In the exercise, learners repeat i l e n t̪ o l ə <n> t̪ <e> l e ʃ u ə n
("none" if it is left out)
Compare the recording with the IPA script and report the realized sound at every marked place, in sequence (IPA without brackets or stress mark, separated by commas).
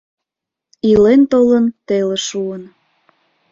n, e